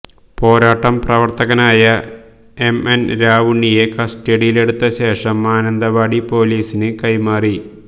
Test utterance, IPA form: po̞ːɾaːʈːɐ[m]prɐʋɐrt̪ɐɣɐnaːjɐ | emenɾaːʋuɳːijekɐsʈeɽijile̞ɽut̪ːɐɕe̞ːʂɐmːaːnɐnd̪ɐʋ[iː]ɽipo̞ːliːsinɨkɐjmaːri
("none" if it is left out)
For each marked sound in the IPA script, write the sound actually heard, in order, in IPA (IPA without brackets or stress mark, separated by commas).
m, aː